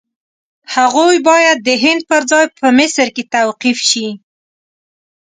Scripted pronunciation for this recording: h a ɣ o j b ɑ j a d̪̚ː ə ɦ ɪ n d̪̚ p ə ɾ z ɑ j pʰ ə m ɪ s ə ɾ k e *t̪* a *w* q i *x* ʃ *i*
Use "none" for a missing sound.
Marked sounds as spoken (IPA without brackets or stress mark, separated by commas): t̪, w, f, i